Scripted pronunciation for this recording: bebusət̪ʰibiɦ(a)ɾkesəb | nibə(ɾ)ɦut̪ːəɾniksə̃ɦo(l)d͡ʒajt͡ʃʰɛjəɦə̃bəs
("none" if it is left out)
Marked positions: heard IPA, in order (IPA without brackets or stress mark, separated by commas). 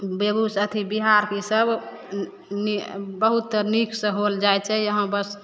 a, none, l